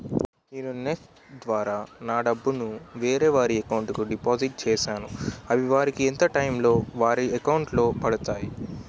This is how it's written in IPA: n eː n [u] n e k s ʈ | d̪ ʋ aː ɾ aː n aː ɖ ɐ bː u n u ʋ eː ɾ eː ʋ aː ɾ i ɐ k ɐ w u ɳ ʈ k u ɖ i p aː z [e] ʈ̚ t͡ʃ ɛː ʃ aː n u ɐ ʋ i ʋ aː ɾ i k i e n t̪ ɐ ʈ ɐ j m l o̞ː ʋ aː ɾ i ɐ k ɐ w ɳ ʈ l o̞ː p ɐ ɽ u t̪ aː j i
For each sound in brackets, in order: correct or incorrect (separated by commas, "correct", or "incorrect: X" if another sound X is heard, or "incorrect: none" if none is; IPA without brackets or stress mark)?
correct, incorrect: i